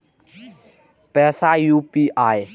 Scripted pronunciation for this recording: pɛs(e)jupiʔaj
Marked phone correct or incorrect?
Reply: incorrect